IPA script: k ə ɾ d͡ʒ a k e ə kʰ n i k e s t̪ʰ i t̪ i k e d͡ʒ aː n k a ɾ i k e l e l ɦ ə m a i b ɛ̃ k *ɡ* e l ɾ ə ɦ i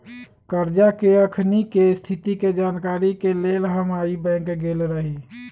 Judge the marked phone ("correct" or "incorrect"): correct